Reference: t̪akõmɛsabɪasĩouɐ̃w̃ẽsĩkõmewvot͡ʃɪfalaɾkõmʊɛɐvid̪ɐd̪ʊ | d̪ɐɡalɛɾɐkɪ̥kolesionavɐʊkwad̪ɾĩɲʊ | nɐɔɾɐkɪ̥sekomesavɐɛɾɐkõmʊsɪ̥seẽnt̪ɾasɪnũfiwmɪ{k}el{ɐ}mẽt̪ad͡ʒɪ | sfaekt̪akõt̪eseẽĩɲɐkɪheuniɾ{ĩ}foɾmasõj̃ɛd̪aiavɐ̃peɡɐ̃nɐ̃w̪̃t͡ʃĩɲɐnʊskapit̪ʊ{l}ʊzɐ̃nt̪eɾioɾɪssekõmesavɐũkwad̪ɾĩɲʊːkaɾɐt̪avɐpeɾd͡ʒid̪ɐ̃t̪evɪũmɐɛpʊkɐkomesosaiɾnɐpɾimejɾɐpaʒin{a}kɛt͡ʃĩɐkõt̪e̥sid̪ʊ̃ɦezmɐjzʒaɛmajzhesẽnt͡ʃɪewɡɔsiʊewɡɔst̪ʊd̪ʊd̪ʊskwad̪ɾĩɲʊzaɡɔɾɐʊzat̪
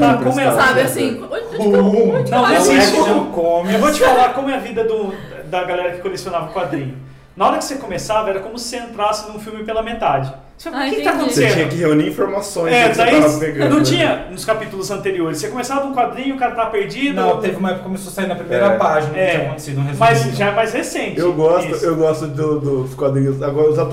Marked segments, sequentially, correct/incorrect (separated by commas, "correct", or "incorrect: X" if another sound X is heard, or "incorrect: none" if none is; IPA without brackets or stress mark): incorrect: p, correct, correct, correct, incorrect: ɐ